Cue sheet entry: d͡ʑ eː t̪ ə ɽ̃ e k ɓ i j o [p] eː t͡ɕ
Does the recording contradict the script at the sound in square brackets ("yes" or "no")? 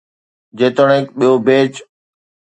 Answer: yes